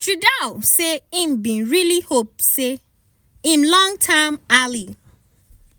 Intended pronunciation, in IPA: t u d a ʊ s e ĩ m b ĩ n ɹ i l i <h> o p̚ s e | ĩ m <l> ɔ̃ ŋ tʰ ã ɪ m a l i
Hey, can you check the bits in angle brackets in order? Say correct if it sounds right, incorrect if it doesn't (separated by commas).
correct, correct